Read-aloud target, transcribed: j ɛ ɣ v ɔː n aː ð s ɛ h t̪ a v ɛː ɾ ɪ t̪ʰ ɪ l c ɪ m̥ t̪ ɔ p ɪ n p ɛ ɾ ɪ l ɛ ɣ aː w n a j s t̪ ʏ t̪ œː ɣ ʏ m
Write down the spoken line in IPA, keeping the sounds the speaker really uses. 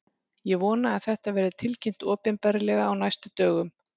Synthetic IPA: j ɛ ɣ v ɔː n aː ð θ ɛ h t̪ a v ɛː ɾ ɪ t̪ʰ ɪ l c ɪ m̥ t̪ ɔː p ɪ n p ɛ ɾ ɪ l ɛ ɣ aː w n a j s t̪ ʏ t̪ œː ɣ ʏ m